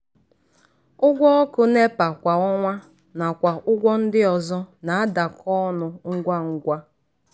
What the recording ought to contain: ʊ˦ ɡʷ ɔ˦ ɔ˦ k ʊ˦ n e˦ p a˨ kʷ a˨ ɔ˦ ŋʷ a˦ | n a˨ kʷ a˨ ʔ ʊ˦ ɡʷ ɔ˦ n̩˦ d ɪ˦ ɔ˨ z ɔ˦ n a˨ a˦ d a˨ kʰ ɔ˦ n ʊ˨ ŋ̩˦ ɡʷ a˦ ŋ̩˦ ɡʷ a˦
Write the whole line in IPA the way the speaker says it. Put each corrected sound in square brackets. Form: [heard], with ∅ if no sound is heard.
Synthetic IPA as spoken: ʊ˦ ɡʷ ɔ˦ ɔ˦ k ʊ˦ n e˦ p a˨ kʷ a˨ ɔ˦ ŋʷ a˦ | n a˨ kʷ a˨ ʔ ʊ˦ ɡʷ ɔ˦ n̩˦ d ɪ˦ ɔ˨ z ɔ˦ n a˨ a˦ d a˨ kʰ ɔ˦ n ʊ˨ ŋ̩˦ ɡʷ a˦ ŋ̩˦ ɡʷ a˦